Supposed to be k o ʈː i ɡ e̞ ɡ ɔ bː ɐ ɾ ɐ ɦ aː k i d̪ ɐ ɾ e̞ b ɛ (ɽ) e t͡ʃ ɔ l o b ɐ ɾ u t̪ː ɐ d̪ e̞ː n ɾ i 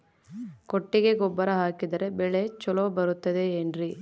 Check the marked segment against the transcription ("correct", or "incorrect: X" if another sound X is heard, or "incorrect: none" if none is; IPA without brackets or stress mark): incorrect: ɭ